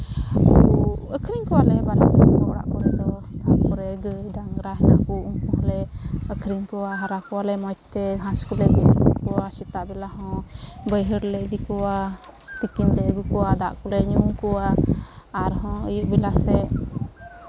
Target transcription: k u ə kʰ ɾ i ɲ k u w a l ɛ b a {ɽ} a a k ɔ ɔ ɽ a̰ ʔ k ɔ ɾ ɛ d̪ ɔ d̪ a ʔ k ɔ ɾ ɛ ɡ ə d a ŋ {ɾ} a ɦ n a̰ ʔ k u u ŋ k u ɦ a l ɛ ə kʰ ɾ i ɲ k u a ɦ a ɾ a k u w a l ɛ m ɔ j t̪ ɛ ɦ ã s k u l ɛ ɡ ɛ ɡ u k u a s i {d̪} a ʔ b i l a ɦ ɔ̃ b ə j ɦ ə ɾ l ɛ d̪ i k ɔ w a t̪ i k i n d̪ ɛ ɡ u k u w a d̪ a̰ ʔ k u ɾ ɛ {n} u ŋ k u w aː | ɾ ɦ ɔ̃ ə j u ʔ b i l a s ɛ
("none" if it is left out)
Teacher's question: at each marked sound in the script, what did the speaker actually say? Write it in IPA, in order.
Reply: l, ɾ, t̪, ɲ

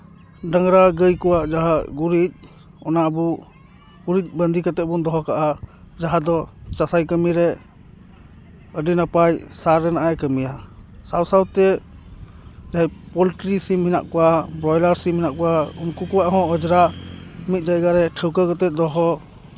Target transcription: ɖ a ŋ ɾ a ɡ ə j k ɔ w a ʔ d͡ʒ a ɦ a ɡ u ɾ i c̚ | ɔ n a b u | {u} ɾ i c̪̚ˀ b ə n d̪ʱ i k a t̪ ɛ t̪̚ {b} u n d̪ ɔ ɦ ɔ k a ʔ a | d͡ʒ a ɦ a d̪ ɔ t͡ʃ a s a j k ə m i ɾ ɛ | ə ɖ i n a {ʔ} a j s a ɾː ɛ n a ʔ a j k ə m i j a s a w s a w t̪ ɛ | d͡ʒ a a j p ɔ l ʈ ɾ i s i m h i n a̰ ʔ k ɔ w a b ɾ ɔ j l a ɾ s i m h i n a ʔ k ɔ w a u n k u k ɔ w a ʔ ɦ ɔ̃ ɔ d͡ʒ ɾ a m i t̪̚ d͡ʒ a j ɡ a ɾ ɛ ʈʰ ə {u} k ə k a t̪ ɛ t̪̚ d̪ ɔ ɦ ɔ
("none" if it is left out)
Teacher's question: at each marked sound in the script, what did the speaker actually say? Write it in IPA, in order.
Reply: u, b, p, w

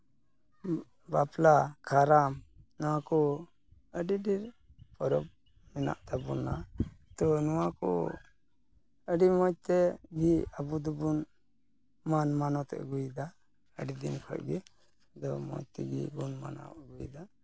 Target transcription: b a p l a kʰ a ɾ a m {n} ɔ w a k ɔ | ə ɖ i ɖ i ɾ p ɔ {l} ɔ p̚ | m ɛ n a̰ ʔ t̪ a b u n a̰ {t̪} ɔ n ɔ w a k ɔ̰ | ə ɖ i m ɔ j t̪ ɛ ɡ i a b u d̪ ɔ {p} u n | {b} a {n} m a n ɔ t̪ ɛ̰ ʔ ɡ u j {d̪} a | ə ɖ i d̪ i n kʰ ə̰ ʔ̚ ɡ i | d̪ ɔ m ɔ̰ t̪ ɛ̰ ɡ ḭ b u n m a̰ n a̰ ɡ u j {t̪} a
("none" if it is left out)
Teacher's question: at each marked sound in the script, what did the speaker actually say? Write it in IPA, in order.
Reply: n, ɾ, t̪, b, m, n, d̪, d̪

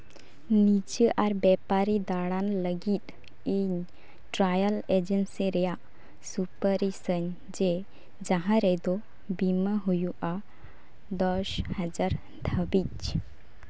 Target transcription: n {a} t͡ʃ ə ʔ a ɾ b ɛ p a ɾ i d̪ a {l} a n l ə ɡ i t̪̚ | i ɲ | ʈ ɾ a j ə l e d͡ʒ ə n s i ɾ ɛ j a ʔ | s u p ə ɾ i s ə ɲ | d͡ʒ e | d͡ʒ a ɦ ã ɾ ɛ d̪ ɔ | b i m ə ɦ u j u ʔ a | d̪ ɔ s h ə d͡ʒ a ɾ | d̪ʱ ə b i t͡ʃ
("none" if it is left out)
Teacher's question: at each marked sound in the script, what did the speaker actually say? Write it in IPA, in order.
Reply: i, ɽ

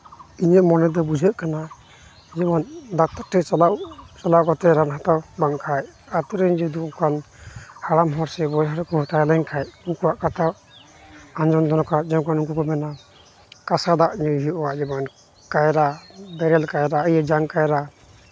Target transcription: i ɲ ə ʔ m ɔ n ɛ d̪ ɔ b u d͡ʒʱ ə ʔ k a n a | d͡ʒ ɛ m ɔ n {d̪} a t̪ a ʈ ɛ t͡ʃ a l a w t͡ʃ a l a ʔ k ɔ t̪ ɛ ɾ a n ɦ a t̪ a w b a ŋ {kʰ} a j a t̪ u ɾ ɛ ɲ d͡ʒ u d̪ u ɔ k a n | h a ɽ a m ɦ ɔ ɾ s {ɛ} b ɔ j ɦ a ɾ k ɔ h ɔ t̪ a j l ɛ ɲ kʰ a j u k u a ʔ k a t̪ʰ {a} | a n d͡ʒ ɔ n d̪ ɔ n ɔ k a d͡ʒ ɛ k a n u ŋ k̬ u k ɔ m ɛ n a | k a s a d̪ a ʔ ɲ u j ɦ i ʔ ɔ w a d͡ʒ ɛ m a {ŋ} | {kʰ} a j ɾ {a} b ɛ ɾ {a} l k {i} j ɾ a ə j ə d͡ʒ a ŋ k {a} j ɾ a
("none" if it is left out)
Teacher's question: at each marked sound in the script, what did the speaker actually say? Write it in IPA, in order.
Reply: d̪, kʰ, ɛ, a, n, k, a, ɛ, a, a

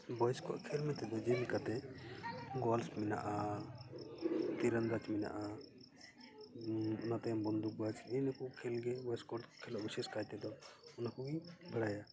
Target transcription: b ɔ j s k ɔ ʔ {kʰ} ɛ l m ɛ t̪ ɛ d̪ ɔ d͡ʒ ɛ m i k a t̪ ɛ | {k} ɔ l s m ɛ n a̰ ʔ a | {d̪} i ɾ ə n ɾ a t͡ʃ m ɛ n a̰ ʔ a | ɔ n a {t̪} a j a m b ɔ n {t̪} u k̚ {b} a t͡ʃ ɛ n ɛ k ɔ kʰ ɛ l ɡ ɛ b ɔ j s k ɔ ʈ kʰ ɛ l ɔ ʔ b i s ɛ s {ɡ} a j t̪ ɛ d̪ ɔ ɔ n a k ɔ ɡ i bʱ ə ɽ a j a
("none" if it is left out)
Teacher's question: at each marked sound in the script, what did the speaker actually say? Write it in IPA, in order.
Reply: kʰ, ɡ, t̪, t̪, d̪, b, k

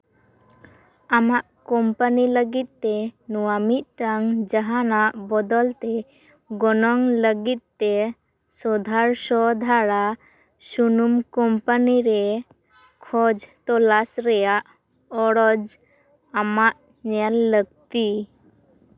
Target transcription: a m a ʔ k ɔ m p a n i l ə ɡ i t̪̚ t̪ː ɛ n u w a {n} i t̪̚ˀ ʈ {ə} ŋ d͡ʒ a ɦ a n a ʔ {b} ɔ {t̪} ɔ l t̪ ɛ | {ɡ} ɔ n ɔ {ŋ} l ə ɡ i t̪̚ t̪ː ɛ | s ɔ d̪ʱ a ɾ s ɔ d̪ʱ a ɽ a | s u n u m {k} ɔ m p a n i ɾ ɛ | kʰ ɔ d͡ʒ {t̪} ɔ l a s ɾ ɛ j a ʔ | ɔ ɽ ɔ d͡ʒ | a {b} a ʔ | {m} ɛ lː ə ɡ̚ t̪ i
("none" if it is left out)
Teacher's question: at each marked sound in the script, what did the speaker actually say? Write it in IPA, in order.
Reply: m, a, b, d̪, ɡ, ŋ, k, t̪, m, ɲ

